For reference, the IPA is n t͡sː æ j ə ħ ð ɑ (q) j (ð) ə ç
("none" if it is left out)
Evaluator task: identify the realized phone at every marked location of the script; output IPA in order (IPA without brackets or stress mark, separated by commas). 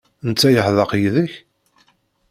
q, ð